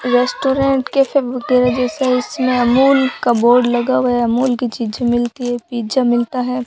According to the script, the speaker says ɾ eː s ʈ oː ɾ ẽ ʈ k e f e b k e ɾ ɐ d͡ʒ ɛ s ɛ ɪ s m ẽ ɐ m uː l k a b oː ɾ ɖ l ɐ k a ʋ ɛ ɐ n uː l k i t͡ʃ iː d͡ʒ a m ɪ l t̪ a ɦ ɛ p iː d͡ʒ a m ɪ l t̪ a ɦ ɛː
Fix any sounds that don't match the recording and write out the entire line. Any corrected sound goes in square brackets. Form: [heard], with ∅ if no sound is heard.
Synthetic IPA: ɾ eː s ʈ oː ɾ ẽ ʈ k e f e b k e ɾ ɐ d͡ʒ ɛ s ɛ ɪ s m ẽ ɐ m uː l k a b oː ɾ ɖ l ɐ [ɡ] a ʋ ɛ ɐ [m] uː l k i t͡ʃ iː d͡ʒ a m ɪ l t̪ [i] ɦ ɛ p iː d͡ʒ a m ɪ l t̪ a ɦ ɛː

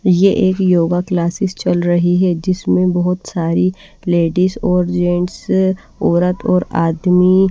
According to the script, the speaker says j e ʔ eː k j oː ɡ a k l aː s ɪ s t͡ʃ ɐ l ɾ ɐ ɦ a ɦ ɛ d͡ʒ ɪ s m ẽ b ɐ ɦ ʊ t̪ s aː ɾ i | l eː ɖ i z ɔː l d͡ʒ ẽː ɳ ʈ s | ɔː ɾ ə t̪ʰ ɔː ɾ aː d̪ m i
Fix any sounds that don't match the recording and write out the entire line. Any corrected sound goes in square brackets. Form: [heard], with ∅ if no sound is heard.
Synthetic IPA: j e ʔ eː k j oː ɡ a k l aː s ɪ s t͡ʃ ɐ l ɾ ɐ ɦ [i] ɦ ɛ d͡ʒ ɪ s m ẽ b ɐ ɦ ʊ t̪ s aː ɾ i | l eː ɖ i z ɔː [ɾ] d͡ʒ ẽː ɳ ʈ s | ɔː ɾ ə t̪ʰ ɔː ɾ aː d̪ m i

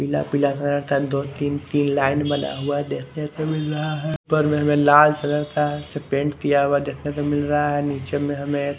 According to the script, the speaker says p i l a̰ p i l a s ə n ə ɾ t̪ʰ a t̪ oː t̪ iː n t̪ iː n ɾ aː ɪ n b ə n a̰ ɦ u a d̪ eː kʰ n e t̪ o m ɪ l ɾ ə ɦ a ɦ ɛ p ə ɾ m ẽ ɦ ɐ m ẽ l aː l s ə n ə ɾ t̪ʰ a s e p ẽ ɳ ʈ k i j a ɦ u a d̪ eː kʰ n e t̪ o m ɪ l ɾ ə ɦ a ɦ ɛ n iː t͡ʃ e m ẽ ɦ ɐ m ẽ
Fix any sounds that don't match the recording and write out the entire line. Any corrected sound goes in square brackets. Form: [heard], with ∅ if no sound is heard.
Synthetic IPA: p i l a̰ p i l a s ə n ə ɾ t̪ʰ a [d̪] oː t̪ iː n t̪ iː n [l] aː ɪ n b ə n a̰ ɦ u a d̪ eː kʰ n e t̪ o m ɪ l ɾ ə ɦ a ɦ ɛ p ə ɾ m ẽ ɦ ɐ m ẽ l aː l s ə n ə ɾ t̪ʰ a s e p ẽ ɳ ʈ k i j a ɦ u a d̪ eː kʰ n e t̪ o m ɪ l ɾ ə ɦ a ɦ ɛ n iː t͡ʃ e m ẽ ɦ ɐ m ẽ

